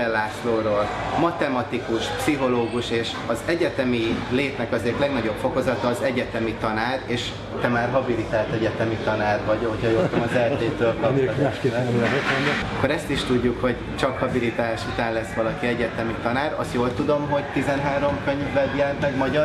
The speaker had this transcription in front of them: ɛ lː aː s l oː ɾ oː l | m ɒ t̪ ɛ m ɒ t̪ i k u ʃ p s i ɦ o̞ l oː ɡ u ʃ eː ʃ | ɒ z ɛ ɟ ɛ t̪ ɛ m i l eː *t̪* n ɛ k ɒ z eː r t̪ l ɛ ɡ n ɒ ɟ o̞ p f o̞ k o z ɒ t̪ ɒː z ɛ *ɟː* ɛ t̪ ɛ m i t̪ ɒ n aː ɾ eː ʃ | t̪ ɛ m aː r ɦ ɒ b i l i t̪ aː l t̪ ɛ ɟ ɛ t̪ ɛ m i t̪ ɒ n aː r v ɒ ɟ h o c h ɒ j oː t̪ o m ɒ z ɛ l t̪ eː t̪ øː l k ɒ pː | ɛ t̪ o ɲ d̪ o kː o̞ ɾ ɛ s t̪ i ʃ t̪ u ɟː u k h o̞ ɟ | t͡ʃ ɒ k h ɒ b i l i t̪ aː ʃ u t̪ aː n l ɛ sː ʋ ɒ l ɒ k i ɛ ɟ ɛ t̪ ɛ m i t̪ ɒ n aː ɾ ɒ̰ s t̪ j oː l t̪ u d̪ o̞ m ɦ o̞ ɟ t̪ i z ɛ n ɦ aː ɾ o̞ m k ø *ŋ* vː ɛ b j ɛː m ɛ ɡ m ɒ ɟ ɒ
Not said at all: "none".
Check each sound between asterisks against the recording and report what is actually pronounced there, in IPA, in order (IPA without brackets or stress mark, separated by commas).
t̪, ɟ, ɲ